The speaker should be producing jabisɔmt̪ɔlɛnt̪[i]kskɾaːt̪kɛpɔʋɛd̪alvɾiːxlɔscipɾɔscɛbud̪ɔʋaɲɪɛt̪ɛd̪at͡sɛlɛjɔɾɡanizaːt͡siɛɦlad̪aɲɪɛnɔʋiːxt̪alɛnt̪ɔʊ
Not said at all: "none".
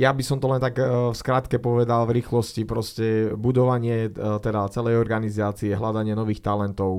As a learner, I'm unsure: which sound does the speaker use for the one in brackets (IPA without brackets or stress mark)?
a